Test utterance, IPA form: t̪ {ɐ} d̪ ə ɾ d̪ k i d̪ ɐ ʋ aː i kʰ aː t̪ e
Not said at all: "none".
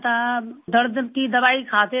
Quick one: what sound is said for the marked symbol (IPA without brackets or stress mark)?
a